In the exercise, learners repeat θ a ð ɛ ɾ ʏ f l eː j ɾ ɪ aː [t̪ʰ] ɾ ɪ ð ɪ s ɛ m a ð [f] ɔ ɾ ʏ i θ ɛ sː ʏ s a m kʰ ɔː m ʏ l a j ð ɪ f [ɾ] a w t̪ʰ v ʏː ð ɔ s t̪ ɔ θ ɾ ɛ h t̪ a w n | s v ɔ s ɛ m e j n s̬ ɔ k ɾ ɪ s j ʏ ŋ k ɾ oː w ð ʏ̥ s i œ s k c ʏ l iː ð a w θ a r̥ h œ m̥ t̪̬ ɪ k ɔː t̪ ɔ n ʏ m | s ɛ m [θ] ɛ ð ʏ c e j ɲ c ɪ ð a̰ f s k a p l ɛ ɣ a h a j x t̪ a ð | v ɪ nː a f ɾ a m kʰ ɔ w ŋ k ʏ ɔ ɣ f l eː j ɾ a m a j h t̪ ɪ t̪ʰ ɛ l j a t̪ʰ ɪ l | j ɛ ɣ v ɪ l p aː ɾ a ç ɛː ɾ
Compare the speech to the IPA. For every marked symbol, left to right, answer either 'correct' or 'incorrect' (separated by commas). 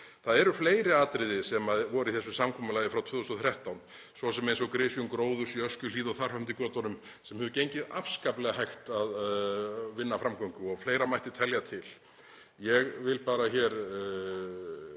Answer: incorrect, incorrect, correct, incorrect